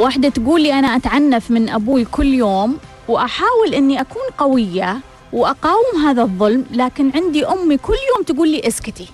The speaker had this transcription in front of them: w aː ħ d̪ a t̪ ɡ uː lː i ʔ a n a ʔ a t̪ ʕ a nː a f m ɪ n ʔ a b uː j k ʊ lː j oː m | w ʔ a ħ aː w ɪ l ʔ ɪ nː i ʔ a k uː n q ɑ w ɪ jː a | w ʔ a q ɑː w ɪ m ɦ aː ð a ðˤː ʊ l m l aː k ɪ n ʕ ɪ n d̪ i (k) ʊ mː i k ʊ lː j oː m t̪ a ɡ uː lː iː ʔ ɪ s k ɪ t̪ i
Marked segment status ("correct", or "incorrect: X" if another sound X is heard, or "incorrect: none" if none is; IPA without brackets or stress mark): incorrect: ʔ